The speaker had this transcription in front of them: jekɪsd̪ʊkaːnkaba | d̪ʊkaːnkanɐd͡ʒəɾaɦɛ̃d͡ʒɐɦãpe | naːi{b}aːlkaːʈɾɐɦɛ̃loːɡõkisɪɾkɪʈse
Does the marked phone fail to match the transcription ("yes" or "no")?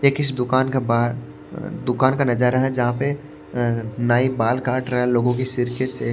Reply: no